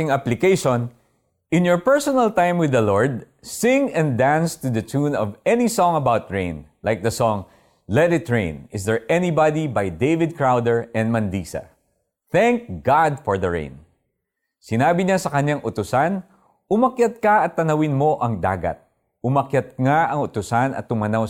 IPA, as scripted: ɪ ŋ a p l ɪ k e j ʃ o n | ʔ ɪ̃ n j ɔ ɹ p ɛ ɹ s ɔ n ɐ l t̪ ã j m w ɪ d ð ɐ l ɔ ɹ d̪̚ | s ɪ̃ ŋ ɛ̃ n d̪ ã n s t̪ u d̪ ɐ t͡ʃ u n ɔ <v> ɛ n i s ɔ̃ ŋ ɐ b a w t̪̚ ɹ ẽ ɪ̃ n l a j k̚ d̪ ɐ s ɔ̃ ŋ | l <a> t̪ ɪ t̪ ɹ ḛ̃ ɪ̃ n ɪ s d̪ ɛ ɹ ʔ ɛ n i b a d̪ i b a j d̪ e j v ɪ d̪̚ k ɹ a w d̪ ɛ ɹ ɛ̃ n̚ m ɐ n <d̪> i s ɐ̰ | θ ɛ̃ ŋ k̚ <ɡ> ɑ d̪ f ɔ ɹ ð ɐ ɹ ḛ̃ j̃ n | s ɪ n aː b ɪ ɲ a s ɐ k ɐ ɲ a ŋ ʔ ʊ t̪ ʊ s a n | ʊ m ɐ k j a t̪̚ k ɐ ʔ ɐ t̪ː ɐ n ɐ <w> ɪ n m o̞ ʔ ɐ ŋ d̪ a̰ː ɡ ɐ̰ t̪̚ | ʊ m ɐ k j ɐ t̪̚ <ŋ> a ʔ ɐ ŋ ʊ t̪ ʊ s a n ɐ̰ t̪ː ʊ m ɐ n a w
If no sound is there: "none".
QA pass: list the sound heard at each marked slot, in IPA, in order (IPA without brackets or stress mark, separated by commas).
v, ɛ, d̪, ɡ, w, ŋ